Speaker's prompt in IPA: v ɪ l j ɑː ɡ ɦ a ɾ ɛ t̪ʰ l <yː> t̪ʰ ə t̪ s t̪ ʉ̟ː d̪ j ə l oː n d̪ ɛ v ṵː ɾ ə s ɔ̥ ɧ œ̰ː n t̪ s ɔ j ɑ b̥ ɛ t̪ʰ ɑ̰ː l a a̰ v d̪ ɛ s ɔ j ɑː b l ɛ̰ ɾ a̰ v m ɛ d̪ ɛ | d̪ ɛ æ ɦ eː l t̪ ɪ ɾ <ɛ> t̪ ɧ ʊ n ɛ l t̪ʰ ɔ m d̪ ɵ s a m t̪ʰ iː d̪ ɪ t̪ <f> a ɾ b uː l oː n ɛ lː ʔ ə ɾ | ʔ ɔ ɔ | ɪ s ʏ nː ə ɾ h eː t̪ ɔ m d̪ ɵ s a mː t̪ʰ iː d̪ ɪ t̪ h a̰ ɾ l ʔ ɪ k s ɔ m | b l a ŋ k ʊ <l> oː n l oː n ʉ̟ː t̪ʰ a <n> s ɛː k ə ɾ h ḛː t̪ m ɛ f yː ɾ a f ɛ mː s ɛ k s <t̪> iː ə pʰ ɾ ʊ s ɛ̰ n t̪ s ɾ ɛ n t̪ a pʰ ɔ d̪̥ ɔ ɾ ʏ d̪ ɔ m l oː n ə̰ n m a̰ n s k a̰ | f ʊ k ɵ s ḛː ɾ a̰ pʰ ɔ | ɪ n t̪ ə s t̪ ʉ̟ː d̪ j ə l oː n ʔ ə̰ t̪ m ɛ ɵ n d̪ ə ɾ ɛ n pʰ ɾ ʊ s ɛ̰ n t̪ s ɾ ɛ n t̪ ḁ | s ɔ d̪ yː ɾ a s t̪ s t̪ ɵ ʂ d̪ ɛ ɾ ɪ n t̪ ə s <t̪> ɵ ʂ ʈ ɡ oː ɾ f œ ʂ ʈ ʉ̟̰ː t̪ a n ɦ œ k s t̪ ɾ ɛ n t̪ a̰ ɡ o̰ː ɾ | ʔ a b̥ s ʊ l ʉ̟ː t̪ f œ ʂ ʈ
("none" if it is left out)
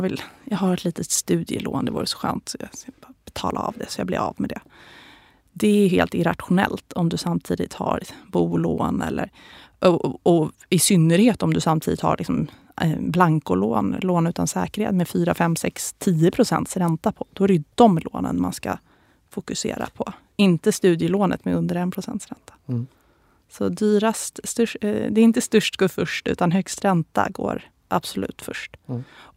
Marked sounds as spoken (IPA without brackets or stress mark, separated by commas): iː, a, h, l, n, t̪ʰ, t̪